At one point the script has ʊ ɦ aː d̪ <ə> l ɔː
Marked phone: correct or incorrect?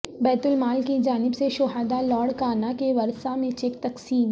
incorrect